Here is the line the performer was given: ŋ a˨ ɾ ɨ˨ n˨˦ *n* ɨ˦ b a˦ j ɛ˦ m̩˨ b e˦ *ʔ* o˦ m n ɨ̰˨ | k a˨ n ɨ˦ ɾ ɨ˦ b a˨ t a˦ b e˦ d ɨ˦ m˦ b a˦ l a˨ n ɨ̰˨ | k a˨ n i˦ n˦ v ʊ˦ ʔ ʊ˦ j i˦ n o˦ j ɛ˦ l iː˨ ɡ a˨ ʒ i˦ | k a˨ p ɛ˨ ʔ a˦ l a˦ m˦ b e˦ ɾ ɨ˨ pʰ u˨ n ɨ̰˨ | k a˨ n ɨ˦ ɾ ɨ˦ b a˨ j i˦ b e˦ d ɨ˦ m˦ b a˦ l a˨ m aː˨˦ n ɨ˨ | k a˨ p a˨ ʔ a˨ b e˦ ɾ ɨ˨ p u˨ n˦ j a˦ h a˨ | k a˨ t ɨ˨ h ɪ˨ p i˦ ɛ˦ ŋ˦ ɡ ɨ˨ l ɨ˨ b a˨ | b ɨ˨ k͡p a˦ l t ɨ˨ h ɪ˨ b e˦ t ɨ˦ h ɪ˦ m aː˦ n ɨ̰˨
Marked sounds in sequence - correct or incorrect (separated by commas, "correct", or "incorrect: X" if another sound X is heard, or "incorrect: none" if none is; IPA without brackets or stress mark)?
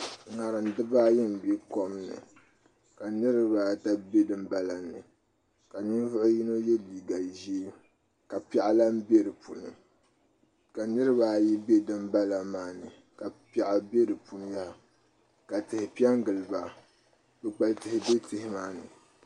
incorrect: d, incorrect: k